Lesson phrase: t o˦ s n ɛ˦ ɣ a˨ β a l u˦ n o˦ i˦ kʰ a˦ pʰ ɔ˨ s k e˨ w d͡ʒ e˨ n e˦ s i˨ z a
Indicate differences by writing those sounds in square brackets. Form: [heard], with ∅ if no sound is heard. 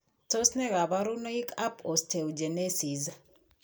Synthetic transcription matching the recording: t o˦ s n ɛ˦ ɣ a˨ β a [ɾ] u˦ n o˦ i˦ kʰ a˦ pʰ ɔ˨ s [t] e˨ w d͡ʒ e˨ n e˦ s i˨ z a